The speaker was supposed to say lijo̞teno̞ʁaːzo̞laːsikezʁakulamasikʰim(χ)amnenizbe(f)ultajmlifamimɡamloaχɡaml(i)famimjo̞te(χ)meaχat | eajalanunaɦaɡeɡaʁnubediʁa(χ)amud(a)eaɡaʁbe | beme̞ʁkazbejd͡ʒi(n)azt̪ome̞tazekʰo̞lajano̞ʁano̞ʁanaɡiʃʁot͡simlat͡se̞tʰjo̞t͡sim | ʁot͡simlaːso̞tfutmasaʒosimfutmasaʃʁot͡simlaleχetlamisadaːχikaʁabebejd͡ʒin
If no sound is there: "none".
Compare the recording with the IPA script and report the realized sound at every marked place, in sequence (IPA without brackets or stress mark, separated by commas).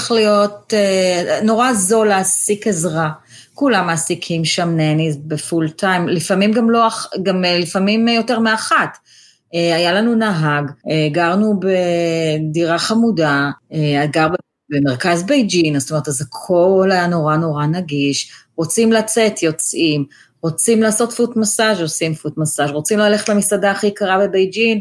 ʃ, f, i, ʁ, χ, a, n